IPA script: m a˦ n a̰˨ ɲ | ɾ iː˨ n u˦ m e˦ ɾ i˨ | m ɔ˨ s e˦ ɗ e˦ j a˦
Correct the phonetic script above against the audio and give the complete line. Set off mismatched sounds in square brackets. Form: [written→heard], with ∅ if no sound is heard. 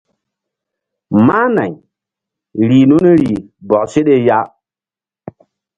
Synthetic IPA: m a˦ n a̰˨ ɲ | ɾ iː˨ n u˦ [m→n] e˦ ɾ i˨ | [m→b] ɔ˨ s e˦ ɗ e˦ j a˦